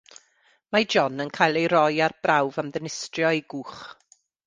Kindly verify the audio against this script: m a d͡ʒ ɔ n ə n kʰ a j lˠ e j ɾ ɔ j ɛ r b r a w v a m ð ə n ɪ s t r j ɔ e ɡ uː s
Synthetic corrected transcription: m a d͡ʒ ɔ n ə n kʰ a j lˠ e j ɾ ɔ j a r b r a w v a m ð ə n ɪ s t r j ɔ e ɡ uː χ